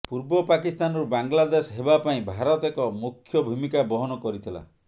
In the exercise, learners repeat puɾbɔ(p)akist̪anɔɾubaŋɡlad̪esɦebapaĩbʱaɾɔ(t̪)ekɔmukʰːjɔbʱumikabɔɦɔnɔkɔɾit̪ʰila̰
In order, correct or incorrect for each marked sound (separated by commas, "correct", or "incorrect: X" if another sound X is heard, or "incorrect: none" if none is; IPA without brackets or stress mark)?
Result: correct, correct